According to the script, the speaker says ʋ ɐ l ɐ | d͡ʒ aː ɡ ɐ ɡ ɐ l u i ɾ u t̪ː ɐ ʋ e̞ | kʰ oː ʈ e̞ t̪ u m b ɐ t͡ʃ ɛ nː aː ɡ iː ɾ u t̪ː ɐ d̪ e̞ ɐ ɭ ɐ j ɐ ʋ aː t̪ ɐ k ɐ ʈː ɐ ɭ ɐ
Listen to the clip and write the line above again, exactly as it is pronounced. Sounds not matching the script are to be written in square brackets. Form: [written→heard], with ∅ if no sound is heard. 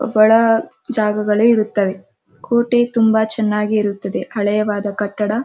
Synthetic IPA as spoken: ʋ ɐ [l→ɭ] ɐ | d͡ʒ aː ɡ ɐ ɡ ɐ [l→ɭ] u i ɾ u t̪ː ɐ ʋ e̞ | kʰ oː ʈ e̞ t̪ u m b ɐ t͡ʃ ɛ nː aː ɡ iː ɾ u t̪ː ɐ d̪ e̞ ɐ ɭ ɐ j ɐ ʋ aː [t̪→d̪] ɐ k ɐ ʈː ɐ [ɭ→ɽ] ɐ

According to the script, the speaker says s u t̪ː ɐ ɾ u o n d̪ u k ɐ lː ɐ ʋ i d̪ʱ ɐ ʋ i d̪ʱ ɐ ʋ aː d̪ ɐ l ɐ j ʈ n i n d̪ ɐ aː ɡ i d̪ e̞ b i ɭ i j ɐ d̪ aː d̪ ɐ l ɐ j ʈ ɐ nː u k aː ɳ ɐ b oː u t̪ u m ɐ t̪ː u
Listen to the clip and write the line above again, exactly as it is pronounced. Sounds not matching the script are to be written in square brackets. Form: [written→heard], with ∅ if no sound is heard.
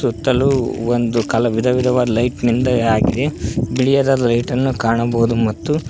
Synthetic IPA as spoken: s u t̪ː ɐ [ɾ→l] u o n d̪ u k ɐ [lː→l] ɐ ʋ i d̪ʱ ɐ ʋ i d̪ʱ ɐ ʋ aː d̪ ɐ l ɐ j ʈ n i n d̪ ɐ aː ɡ i d̪ e̞ b i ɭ i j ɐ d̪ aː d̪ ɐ l ɐ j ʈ ɐ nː u k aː ɳ ɐ b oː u [t̪→d̪] u m ɐ t̪ː u

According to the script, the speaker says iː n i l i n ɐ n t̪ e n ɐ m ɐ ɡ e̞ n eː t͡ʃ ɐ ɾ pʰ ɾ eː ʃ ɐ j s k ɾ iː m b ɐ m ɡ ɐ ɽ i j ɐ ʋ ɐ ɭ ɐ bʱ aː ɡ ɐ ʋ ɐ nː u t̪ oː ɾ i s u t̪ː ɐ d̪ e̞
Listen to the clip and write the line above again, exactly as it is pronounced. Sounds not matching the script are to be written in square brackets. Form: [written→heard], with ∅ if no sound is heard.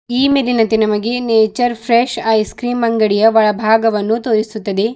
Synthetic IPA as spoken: iː [n→m] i l i n ɐ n t̪ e n ɐ m ɐ ɡ e̞ n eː t͡ʃ ɐ ɾ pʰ ɾ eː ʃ ɐ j s k ɾ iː m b ɐ [m→ŋ] ɡ ɐ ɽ i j ɐ ʋ ɐ ɭ ɐ bʱ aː ɡ ɐ ʋ ɐ nː u t̪ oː ɾ i s u t̪ː ɐ d̪ e̞

